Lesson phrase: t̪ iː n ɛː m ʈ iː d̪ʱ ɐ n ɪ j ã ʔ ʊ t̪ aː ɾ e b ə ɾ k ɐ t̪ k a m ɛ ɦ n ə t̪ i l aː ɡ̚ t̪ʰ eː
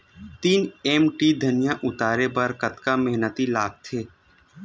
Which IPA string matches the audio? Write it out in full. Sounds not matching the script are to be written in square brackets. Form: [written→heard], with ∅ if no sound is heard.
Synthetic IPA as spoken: t̪ iː n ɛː m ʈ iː d̪ʱ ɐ n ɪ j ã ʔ ʊ t̪ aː ɾ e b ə ɾ k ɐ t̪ k a m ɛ ɦ n ə t̪ i l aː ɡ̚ t̪ʰ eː